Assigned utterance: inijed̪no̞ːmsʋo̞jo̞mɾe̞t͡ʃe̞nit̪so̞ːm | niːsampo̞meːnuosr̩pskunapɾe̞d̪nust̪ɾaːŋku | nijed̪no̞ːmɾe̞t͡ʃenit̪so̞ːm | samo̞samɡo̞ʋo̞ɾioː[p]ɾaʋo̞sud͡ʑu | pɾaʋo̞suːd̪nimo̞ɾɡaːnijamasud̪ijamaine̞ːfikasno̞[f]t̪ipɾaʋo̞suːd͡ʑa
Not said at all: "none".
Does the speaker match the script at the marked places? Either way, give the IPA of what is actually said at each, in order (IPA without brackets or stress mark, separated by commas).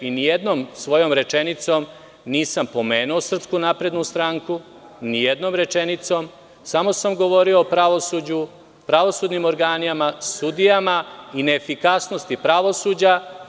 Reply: p, s